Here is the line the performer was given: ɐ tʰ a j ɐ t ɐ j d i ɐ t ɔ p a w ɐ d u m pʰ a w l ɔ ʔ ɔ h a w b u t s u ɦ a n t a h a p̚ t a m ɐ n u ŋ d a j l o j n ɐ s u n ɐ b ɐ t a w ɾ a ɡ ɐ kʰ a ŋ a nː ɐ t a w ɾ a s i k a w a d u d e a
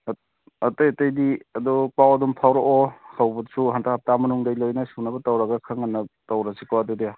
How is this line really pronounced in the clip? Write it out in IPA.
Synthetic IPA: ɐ t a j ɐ t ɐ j d i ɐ d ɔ p a w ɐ d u m pʰ a w ɾ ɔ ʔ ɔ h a w b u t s u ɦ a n t a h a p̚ t a m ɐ n u ŋ d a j l o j n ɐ s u n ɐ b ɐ t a w ɾ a ɡ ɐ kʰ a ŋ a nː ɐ t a w ɾ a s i k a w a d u d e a